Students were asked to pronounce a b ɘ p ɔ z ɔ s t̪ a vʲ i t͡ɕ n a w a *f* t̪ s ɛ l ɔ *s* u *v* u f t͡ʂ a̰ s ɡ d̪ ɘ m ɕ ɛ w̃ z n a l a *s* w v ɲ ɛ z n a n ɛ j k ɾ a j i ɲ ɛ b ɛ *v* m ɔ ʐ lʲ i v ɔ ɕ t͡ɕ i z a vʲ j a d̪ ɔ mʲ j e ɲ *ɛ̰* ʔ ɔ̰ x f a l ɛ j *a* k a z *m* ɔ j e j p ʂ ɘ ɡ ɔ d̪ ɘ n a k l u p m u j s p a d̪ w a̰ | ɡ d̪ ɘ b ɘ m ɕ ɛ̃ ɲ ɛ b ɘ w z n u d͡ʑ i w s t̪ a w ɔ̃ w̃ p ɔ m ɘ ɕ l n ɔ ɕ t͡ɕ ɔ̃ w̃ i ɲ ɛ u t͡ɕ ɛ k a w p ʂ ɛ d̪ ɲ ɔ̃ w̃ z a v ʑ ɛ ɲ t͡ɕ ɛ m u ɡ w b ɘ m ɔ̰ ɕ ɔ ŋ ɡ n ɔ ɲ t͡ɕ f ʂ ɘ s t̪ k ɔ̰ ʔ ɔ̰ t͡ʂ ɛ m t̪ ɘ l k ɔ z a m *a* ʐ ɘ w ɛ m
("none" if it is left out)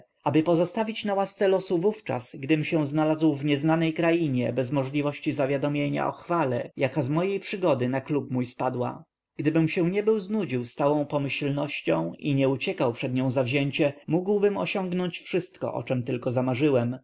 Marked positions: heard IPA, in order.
s, s, v, z, z, a̰, a, m, a

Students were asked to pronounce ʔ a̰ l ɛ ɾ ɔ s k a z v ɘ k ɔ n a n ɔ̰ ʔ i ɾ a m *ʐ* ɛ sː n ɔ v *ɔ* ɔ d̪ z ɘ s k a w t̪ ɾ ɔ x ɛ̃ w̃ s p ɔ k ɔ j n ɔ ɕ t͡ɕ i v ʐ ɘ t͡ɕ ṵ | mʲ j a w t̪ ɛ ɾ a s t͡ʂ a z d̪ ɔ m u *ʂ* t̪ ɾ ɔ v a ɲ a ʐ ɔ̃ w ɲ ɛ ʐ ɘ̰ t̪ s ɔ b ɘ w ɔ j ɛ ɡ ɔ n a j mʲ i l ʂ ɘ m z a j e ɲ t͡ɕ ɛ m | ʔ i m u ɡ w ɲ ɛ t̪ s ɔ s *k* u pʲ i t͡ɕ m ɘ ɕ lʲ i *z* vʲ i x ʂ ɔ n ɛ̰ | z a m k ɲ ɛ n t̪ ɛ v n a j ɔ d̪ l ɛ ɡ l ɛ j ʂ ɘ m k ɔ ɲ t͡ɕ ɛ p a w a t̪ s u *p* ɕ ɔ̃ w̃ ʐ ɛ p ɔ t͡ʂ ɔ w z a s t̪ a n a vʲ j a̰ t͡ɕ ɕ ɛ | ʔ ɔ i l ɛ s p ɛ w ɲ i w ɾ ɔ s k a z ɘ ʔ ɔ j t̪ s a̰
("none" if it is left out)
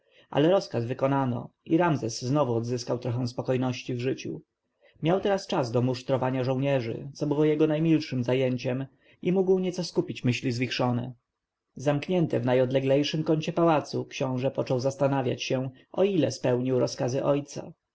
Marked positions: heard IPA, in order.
z, u, ʂ, k, z, k

